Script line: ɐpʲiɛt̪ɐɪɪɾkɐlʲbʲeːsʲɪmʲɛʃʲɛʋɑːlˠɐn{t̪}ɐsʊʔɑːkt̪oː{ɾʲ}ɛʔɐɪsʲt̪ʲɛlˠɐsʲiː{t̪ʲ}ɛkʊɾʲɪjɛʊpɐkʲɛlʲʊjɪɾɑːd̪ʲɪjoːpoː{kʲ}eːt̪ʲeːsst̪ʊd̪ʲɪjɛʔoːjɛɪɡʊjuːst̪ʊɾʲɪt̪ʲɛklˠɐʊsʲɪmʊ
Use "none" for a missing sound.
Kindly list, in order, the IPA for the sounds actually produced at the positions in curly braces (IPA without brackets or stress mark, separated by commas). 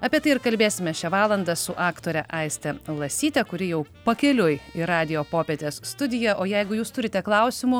d̪, ɾʲ, t̪ʲ, pʲ